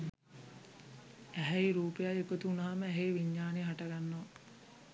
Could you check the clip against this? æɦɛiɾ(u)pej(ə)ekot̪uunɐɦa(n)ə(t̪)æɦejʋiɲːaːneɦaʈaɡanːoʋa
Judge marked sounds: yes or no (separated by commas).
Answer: no, no, no, no